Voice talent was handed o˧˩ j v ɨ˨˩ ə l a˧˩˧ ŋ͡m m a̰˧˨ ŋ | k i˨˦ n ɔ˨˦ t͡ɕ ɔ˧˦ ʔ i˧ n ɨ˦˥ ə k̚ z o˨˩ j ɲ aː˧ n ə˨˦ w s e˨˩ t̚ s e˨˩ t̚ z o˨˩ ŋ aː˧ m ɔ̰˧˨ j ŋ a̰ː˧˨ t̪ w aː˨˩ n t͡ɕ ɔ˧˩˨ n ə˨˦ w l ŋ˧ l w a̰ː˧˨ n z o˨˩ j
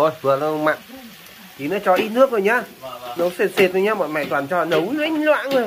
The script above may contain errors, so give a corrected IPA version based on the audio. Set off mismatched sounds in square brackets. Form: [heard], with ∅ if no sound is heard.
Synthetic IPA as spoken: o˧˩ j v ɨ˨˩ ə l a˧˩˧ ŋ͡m m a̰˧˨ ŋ | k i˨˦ n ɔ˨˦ t͡ɕ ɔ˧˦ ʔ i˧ n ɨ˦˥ ə k̚ z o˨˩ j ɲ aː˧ n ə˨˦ w s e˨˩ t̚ s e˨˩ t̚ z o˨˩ [ɲ] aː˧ m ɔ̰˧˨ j [m] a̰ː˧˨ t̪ w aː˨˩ n t͡ɕ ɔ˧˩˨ n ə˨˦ w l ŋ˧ l w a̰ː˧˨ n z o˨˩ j